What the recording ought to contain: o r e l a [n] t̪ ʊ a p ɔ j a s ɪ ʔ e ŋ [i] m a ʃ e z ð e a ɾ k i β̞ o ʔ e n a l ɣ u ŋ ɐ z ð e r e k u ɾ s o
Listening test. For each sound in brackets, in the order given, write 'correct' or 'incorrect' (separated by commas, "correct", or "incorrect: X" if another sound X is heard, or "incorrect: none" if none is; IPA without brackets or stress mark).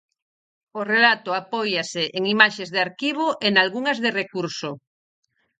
incorrect: none, correct